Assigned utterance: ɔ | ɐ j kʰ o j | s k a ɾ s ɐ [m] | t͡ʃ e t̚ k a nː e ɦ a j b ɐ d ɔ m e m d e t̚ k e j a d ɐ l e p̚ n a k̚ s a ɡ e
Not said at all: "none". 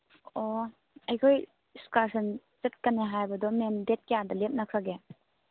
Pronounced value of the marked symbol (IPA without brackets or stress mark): n